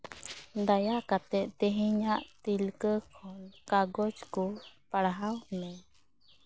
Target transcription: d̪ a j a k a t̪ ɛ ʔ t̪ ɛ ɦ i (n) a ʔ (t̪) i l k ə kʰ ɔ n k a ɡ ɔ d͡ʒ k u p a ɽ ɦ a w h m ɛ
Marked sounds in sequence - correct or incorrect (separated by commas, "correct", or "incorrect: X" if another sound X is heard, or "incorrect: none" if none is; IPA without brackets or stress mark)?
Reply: incorrect: ɲ, correct